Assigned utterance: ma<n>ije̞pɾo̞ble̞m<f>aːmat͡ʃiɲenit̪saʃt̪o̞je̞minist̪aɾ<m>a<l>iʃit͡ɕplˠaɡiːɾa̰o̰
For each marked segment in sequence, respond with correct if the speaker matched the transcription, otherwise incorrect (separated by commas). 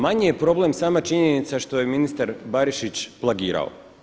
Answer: incorrect, incorrect, incorrect, incorrect